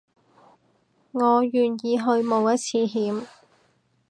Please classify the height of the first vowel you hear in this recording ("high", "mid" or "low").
mid